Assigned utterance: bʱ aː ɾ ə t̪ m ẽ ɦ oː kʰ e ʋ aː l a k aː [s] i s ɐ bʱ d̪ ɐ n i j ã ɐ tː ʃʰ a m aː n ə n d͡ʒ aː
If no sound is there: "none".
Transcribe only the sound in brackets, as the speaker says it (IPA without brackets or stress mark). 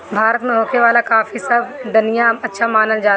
f